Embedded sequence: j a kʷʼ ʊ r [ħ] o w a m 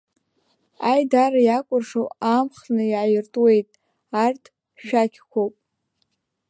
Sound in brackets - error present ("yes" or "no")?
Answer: yes